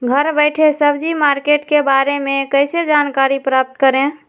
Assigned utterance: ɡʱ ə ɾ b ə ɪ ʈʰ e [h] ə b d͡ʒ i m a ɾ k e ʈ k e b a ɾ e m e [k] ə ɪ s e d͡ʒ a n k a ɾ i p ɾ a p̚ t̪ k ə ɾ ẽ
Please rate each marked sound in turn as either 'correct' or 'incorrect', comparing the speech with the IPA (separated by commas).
incorrect, correct